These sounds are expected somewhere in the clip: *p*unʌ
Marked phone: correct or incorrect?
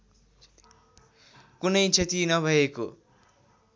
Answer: incorrect: k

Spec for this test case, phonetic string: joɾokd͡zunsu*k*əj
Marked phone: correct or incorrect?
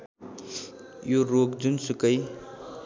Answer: correct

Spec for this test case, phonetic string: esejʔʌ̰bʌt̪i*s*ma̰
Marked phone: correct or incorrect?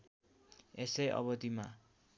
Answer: incorrect: none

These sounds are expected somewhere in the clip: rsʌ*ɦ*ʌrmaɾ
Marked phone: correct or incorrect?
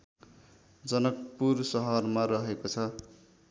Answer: correct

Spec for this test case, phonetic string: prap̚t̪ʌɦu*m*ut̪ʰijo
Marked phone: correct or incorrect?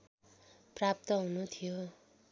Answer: incorrect: n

